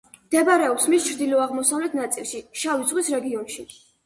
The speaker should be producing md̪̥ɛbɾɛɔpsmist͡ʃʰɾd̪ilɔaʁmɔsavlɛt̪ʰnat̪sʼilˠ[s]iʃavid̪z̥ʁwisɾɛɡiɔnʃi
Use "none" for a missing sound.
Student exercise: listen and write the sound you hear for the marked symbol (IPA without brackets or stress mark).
ʃ